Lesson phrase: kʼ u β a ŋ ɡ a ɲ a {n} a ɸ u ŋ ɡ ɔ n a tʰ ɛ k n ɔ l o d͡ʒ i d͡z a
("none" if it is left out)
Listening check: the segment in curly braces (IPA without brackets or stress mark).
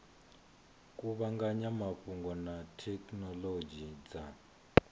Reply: m